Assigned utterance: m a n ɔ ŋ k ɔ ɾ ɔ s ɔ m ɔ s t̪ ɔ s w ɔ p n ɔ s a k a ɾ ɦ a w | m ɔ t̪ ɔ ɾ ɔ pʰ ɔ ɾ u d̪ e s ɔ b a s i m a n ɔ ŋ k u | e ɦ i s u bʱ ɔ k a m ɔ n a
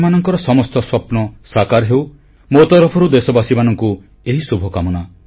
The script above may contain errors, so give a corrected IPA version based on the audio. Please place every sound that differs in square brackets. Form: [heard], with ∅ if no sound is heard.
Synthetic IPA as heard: m a n ɔ ŋ k ɔ ɾ ɔ s ɔ m ɔ s t̪ ɔ s w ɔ p n ɔ s a k a ɾ ɦ [e] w | m [o] t̪ ɔ ɾ ɔ pʰ ɔ ɾ u d̪ e s ɔ b a s i m a n ɔ ŋ k u | e ɦ i s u bʱ ɔ k a m ɔ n a